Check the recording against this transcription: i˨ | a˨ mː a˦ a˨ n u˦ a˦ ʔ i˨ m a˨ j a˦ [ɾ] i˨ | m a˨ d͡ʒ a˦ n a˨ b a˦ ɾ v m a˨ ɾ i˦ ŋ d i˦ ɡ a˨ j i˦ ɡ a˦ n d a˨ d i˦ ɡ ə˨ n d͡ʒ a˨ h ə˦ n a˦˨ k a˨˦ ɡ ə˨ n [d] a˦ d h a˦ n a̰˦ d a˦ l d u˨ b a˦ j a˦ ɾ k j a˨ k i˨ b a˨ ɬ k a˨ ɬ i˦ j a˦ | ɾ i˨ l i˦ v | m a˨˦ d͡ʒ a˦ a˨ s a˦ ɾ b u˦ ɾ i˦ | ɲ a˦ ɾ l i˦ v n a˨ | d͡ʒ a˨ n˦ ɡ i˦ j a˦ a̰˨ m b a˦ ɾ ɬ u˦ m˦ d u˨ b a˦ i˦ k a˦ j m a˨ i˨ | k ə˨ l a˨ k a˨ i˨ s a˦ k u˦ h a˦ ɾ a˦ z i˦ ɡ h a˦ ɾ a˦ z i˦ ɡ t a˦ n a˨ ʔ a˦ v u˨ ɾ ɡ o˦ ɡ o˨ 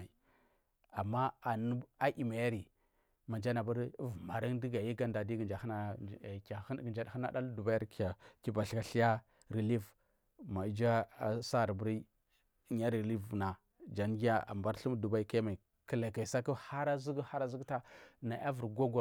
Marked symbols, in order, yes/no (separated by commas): yes, no